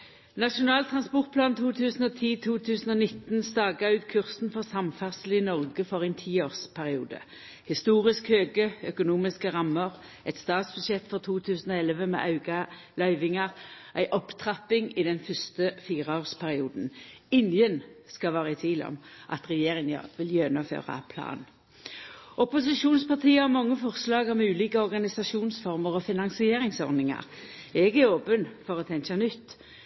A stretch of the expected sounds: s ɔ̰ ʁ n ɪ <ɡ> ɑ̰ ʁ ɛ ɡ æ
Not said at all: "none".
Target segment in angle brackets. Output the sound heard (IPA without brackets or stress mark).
ŋ